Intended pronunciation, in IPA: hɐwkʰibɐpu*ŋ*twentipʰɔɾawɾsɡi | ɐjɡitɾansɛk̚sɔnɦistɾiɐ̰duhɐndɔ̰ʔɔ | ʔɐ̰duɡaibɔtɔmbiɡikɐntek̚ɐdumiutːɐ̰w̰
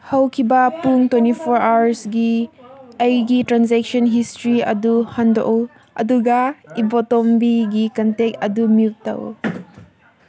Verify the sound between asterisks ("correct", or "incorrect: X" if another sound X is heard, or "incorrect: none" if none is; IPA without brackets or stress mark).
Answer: correct